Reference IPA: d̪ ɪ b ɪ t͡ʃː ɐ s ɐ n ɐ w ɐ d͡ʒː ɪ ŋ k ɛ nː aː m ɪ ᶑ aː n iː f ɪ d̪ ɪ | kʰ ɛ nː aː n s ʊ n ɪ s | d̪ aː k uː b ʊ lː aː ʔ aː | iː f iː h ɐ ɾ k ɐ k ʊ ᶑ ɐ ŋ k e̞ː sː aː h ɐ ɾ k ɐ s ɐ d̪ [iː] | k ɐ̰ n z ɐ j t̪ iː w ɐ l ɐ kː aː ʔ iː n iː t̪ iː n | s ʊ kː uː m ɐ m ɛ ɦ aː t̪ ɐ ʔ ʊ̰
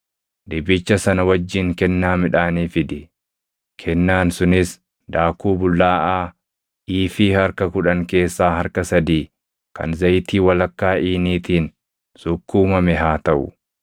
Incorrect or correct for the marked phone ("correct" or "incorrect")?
correct